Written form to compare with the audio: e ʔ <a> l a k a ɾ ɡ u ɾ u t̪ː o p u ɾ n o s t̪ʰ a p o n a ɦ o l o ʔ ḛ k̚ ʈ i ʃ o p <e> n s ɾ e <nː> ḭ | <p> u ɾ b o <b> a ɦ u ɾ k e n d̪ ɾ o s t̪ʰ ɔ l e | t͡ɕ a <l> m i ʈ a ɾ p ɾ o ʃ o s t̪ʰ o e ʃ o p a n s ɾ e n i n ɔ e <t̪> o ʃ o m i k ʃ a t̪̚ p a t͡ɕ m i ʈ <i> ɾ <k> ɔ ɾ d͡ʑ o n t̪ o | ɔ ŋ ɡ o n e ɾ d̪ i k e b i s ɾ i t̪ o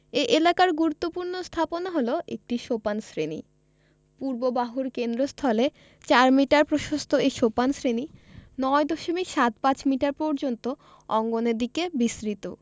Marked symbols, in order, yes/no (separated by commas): no, no, no, yes, yes, no, no, no, no